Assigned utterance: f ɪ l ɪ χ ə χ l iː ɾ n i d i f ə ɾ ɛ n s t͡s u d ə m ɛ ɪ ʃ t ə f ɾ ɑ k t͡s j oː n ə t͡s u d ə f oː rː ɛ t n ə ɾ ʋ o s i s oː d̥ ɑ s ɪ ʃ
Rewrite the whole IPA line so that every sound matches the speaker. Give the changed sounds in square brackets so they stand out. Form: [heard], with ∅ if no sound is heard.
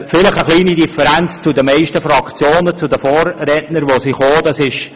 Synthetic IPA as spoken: f ɪ l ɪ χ ə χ l iː [∅] n i d i f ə ɾ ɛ n [t͡s] t͡s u d ə m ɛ ɪ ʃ t ə f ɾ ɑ k t͡s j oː n ə t͡s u d ə f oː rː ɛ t n ə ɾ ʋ o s i [χ] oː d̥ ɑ s ɪ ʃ